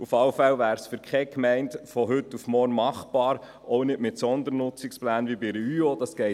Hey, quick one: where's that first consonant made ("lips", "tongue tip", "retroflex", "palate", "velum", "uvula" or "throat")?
lips